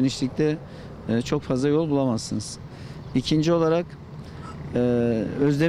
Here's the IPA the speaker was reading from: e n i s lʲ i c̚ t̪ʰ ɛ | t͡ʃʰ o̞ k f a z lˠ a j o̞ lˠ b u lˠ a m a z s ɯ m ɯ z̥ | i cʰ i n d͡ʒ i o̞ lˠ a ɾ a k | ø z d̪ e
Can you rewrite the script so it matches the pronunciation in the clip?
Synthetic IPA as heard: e n i ʃ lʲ i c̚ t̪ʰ ɛ | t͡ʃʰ o̞ k f a z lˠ a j o̞ lˠ b u lˠ a m a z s ɯ n ɯ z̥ | i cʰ i n d͡ʒ i o̞ lˠ a ɾ a k | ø z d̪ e

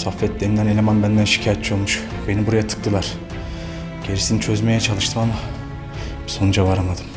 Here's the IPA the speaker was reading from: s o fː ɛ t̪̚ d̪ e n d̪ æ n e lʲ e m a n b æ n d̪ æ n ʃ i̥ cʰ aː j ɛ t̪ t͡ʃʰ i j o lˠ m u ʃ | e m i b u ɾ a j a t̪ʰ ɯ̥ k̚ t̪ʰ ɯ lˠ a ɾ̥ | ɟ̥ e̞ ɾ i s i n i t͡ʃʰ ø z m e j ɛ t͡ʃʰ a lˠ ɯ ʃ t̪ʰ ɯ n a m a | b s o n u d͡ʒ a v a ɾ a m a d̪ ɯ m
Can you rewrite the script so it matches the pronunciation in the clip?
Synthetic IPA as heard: s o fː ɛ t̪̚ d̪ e n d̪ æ n e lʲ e m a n b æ n d̪ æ n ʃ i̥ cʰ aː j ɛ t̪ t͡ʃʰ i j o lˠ m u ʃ | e n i b u ɾ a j a t̪ʰ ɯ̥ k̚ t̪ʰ ɯ lˠ a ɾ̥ | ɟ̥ e̞ ɾ i s i n i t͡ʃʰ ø z m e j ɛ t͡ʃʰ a lˠ ɯ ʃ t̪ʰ ɯ m a m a | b s o n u d͡ʒ a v a ɾ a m a d̪ ɯ m

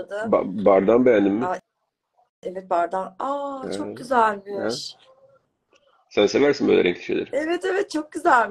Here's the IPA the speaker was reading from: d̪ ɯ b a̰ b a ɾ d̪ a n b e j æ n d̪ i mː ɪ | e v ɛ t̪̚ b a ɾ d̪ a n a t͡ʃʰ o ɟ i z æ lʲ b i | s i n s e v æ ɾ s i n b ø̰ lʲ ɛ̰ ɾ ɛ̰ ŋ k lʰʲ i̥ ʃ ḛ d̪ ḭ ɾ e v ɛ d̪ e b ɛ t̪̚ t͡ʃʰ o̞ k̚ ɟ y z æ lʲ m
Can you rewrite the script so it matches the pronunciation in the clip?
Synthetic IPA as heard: d̪ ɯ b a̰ b a ɾ d̪ a n b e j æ n d̪ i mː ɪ | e v ɛ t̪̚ b a ɾ d̪ a n a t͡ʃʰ o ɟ y z æ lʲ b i | s æ n s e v æ ɾ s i n b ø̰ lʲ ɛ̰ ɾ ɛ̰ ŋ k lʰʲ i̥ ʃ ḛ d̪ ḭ ɾ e v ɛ t̪ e v ɛ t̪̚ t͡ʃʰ o̞ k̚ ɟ y z æ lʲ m

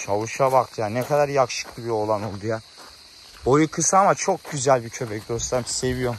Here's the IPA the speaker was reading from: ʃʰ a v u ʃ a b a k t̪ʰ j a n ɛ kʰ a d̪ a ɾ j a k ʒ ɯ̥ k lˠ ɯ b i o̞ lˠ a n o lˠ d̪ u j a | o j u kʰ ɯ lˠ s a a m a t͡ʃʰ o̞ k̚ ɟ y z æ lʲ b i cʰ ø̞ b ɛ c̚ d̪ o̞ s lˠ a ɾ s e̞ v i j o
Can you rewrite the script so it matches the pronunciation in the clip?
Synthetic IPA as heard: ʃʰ a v u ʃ a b a k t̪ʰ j a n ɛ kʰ a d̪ a ɾ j a k ʃ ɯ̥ k lˠ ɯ b i o̞ lˠ a n o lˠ d̪ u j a | o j u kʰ ɯ s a a m a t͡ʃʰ o̞ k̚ ɟ y z æ lʲ b i cʰ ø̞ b ɛ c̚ d̪ o̞ s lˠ a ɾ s e̞ v i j o

